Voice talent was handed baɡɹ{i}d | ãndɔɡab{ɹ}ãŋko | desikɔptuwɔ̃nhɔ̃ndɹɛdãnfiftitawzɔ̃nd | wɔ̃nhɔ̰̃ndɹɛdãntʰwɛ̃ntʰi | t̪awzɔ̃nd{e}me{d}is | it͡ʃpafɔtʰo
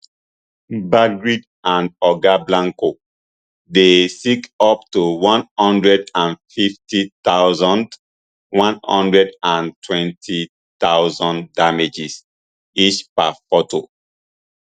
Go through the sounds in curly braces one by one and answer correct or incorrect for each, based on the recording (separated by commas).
correct, incorrect, incorrect, incorrect